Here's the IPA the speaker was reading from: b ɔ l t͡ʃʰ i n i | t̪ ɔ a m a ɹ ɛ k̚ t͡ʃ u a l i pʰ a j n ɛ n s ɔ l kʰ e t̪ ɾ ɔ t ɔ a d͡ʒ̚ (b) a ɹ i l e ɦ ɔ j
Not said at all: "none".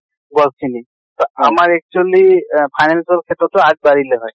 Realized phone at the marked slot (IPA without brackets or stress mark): b